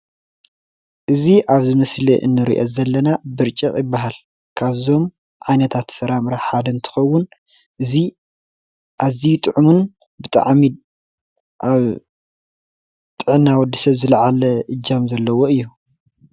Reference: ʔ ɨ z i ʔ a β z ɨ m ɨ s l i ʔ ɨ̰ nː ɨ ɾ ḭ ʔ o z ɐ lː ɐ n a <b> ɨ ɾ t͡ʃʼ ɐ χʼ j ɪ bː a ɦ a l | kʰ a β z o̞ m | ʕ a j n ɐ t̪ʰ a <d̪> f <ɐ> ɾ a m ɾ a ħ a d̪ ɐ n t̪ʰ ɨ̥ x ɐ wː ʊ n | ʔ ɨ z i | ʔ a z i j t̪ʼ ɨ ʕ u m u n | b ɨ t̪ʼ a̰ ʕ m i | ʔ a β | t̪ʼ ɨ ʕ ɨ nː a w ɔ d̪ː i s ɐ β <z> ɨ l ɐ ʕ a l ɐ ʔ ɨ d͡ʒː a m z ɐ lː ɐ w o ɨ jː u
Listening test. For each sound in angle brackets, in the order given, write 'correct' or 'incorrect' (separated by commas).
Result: correct, incorrect, correct, correct